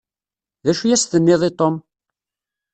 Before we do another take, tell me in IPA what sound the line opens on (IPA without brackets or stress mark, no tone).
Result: ð